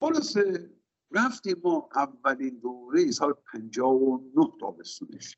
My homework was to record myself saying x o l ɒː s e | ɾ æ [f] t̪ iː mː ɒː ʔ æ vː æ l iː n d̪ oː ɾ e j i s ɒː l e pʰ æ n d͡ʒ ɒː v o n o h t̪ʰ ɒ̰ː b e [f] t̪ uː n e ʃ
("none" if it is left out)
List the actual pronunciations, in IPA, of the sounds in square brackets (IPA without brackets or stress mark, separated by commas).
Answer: f, s